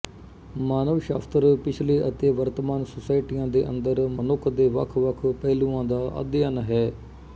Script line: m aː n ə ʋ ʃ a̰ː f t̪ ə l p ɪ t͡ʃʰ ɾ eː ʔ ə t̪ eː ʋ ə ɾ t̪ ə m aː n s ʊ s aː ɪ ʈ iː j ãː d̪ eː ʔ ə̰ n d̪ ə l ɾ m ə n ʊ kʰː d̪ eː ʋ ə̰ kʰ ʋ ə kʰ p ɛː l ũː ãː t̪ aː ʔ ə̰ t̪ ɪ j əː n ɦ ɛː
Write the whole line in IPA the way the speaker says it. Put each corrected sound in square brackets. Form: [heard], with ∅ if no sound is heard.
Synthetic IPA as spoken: m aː n ə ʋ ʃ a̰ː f t̪ ə [ɾ] p ɪ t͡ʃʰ [l] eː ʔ ə t̪ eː ʋ ə ɾ t̪ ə m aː n s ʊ s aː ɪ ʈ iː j ãː d̪ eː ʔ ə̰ n d̪ ə [∅] ɾ m ə n ʊ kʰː d̪ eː ʋ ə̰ kʰ ʋ ə kʰ p ɛː l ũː ãː [d̪] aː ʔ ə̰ [d̪] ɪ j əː n ɦ ɛː